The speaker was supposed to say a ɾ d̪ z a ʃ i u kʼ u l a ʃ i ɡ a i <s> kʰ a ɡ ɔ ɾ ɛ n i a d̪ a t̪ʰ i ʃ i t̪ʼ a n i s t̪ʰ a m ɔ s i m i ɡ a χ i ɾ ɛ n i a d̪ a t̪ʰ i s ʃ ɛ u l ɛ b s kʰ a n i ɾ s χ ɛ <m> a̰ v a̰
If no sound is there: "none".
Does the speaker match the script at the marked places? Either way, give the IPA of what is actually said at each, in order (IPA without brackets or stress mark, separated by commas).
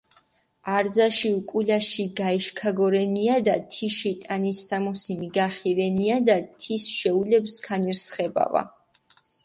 ʃ, b